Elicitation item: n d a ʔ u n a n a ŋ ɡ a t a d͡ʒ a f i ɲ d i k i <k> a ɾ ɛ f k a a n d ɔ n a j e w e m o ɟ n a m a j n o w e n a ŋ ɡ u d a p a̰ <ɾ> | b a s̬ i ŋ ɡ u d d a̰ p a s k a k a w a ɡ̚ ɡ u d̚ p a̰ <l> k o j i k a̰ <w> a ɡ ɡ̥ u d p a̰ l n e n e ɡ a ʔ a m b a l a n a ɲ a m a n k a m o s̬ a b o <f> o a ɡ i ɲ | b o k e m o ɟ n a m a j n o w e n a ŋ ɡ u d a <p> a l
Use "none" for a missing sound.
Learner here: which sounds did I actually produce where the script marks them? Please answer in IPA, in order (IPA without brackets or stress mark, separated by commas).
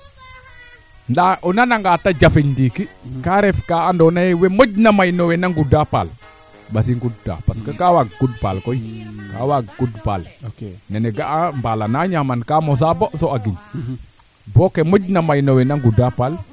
k, l, l, w, s, p